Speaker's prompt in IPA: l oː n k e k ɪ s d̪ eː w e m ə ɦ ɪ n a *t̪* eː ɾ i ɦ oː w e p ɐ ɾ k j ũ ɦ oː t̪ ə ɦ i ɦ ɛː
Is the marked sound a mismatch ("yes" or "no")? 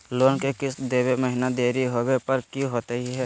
yes